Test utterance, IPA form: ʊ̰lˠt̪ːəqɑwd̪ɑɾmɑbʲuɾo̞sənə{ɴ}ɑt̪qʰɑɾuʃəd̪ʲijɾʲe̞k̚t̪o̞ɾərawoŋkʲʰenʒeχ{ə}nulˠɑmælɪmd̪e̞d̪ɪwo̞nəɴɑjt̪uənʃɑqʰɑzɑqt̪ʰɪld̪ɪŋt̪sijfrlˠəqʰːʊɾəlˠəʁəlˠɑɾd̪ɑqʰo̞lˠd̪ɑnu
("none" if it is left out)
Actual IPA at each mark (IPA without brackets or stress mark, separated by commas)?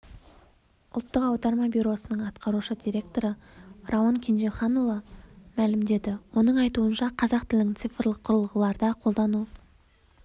ɴ, ɑ